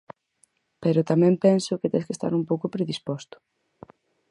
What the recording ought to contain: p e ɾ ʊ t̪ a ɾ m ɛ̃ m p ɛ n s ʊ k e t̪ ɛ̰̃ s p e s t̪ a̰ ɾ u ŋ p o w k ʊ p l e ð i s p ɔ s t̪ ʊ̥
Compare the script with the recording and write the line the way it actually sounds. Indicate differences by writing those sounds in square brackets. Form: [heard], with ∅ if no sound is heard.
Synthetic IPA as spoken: p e ɾ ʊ t̪ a [∅] m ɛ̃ m p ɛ n s ʊ k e t̪ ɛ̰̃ s [k] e s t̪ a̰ ɾ u [m] p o w k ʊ p [ɾ] e ð i s p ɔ s t̪ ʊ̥